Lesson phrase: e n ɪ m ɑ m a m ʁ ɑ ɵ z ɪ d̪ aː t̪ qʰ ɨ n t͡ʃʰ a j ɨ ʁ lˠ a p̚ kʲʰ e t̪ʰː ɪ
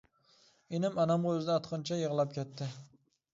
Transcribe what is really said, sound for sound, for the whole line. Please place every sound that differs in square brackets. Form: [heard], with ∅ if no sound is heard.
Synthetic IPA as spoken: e n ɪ m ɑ [n] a m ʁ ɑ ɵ z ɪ d̪ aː t̪ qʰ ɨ n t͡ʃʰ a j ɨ ʁ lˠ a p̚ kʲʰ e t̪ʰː ɪ